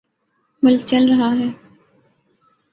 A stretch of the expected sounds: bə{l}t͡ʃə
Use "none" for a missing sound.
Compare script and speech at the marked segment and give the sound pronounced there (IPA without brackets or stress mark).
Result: l